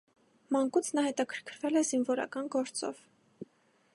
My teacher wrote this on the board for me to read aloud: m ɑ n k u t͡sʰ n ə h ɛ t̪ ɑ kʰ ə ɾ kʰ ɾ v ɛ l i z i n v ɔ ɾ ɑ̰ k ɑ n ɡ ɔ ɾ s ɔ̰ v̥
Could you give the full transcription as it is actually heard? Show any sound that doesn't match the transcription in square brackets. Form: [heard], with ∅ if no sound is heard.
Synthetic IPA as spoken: m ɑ [ŋ] k u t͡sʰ n [ɑ] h ɛ t̪ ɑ kʰ ə ɾ kʰ ɾ v ɛ l [ɛ] z i n v ɔ ɾ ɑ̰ k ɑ n ɡ ɔ ɾ [t͡s] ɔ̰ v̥